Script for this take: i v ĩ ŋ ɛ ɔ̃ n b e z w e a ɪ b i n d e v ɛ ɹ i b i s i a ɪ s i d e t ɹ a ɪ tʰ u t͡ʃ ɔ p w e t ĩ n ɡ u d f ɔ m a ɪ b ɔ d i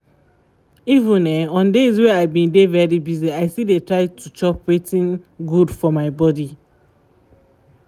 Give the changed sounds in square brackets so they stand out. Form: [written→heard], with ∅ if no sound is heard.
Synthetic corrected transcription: i v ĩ [ŋ→n] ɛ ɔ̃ n [b→d] e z w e a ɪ b [i→ĩ] n d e v ɛ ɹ i b i [s→z] i a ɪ s i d e t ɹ a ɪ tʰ u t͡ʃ ɔ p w e t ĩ n ɡ u d f ɔ m a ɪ b ɔ d i